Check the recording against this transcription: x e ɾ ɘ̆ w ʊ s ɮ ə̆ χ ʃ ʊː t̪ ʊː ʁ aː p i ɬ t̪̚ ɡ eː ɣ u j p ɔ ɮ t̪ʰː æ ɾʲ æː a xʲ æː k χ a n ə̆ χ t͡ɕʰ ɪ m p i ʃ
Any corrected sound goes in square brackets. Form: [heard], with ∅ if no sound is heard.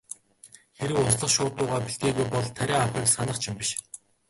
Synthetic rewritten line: x e ɾ ɘ̆ w ʊ s ɮ ə̆ χ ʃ ʊː t̪ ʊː ʁ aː p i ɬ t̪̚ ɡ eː ɣ u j p ɔ ɮ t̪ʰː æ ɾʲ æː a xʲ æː k [s] a n ə̆ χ t͡ɕʰ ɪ m p i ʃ